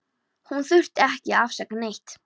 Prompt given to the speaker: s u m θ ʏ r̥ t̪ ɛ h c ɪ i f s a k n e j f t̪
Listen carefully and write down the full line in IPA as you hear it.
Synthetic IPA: h u n θ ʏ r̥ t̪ ɛ h c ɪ a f s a k n e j h t̪